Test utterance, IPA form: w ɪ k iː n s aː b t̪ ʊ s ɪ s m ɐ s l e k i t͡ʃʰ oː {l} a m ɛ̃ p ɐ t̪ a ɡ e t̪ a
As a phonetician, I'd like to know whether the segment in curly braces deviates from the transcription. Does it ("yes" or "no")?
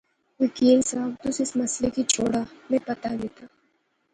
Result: yes